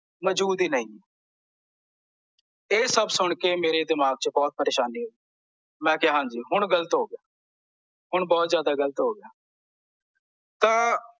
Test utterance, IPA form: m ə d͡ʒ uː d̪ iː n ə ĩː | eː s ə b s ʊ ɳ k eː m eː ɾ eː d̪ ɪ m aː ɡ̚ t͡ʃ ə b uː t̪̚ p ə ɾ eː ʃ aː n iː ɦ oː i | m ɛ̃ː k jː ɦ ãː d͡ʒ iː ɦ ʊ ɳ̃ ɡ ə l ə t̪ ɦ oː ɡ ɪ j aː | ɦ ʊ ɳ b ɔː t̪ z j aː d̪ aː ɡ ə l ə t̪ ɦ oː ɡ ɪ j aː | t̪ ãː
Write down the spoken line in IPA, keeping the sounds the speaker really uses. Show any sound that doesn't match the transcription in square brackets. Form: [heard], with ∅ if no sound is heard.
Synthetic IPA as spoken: m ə d͡ʒ uː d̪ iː n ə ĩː | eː s ə b s ʊ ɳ k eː m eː ɾ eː d̪ ɪ m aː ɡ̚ t͡ʃ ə b [ɔː] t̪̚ p ə ɾ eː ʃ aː n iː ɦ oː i | m ɛ̃ː k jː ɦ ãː d͡ʒ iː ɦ ʊ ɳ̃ ɡ ə l ə t̪ ɦ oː ɡ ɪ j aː | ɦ ʊ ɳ b ɔː t̪ z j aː d̪ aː ɡ ə l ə t̪ ɦ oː ɡ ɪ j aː | t̪ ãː